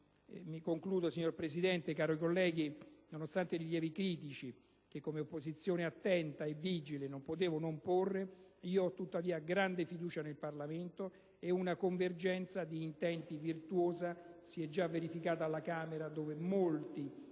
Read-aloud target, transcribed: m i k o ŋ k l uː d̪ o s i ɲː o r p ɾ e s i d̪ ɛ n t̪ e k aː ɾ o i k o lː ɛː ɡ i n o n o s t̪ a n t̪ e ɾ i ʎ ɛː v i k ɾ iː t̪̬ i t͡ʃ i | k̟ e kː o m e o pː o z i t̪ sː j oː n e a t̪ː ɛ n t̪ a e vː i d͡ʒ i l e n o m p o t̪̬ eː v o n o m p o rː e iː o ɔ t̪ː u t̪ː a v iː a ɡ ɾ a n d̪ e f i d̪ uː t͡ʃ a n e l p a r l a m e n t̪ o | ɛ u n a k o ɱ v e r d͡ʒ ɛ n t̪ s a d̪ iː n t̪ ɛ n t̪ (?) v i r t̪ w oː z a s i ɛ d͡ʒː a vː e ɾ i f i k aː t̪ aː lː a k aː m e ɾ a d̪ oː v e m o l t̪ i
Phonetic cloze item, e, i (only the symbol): i